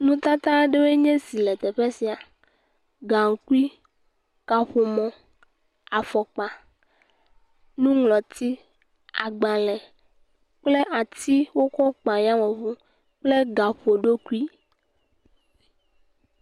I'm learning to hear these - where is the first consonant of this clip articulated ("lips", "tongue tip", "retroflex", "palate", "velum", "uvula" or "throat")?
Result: tongue tip